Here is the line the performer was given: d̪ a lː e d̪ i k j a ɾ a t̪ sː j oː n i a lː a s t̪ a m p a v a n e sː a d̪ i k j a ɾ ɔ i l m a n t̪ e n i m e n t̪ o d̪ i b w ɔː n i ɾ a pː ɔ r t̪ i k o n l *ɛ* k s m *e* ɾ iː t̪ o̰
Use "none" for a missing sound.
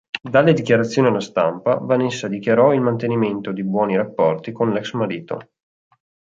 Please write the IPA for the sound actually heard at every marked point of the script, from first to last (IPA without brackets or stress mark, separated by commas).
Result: ɛ, a